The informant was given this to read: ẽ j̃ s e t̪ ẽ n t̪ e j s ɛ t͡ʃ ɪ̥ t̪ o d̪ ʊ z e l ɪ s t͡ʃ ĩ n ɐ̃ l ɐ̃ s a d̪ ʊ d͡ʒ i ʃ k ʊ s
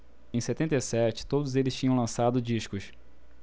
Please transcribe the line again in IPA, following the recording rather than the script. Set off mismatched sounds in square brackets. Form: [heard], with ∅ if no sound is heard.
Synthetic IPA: ẽ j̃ s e t̪ ẽ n t̪ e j s ɛ t͡ʃ ɪ̥ t̪ o d̪ ʊ z e l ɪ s t͡ʃ ĩ [ɲ] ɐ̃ l ɐ̃ s a d̪ ʊ d͡ʒ i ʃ k ʊ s